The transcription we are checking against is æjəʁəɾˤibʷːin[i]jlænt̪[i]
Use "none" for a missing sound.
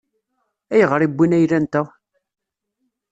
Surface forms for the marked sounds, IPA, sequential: æ, æ

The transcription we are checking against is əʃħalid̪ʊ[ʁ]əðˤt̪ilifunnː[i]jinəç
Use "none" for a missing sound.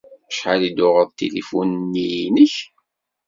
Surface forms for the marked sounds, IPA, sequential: ʁ, i

